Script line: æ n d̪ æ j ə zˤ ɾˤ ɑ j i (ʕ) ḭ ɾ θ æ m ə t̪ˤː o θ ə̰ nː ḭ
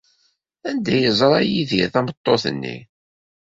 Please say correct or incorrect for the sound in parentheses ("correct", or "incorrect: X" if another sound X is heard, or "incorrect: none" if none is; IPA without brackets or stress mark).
incorrect: ð